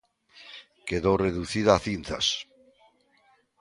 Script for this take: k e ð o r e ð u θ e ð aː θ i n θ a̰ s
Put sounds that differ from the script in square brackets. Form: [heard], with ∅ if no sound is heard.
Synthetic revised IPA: k e ð o r e ð u θ [i] ð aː θ i n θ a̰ s